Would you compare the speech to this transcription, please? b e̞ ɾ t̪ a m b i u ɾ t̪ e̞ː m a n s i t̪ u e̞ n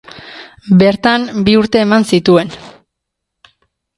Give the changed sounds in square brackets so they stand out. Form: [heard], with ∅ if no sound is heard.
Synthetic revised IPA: b e̞ ɾ t̪ a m b i u ɾ t̪ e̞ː m a n s i t̪ u e̞ n